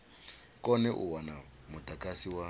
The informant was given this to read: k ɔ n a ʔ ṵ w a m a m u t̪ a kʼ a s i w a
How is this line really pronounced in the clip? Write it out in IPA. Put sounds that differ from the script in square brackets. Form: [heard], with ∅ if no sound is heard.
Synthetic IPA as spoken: k ɔ n [ɛ] ʔ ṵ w a [n] a m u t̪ a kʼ a s i w a